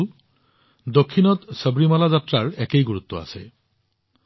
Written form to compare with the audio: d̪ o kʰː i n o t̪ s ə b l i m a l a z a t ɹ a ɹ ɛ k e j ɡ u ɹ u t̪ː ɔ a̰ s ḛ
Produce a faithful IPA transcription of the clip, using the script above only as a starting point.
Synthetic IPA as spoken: d̪ o kʰː i n ɔ t̪ s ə b ɹ i m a l a z a t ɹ a ɹ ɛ k e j ɡ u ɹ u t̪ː ɔ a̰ s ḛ